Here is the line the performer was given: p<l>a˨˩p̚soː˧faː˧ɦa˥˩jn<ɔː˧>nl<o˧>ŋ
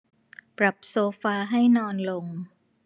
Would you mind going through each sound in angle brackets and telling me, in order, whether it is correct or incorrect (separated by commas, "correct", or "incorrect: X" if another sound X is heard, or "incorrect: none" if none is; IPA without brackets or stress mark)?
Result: incorrect: ɾ, correct, correct